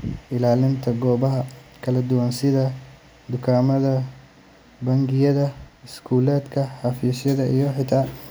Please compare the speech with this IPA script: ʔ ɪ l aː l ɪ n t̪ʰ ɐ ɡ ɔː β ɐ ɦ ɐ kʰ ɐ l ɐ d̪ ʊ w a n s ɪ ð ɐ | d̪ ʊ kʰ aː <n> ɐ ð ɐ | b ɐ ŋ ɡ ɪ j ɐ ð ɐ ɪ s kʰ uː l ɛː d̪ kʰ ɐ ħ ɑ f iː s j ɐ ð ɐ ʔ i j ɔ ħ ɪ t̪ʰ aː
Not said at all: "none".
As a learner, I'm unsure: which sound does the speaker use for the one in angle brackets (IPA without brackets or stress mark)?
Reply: m